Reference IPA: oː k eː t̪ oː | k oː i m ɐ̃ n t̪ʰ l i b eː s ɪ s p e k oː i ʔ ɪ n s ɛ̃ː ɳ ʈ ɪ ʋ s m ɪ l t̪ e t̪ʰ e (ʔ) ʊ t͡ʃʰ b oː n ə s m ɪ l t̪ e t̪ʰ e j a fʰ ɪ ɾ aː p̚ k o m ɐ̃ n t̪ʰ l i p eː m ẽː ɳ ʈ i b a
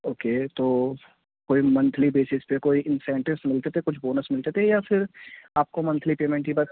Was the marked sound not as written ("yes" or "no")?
yes